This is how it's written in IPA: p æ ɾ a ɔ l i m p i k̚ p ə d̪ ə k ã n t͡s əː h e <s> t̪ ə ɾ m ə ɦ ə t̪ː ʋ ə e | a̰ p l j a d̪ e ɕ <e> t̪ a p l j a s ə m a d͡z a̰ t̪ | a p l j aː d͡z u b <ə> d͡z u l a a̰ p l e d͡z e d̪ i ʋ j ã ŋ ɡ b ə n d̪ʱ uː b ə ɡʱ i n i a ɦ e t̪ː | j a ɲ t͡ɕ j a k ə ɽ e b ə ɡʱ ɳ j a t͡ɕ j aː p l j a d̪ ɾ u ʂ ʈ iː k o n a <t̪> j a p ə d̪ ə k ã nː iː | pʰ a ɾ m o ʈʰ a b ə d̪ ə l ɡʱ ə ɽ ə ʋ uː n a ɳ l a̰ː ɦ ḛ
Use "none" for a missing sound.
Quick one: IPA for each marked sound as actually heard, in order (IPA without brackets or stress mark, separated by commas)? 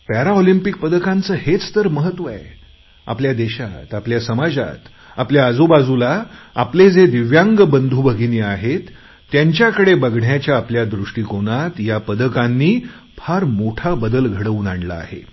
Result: t͡s, a, a, t̪